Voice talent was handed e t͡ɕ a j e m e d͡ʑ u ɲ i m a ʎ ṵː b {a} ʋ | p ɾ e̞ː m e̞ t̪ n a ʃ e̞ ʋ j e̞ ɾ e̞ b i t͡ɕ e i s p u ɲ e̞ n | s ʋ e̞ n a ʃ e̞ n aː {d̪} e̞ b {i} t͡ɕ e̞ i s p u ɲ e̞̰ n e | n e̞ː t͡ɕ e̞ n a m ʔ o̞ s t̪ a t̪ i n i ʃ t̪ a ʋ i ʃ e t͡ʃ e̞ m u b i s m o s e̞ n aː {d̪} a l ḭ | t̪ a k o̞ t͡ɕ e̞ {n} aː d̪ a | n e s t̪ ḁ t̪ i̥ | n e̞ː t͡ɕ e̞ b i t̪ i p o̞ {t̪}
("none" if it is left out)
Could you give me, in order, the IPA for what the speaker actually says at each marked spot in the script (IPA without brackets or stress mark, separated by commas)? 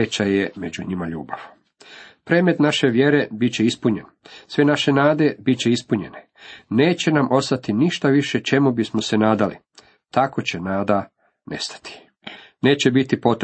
a, d̪, i, d̪, n, t̪